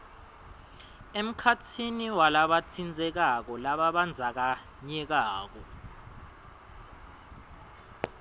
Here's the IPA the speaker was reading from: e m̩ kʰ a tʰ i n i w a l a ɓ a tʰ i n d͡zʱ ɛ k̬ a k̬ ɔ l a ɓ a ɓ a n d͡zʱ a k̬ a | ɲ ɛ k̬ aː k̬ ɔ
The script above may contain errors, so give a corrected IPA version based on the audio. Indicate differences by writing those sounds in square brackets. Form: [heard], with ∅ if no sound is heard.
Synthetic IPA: e m̩ kʰ a tʰ i n i w a l a ɓ a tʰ i n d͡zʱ ɛ k̬ a k̬ ɔ l a ɓ a ɓ a n d͡zʱ a k̬ a | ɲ ɛ k̬ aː k̬ ɔ